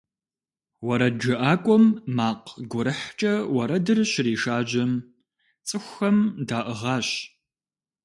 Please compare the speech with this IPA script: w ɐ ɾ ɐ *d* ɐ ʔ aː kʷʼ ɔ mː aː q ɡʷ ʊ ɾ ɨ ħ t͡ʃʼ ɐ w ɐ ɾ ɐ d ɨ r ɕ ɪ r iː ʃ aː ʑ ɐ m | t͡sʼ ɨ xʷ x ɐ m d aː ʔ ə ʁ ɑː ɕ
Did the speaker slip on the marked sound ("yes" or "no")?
yes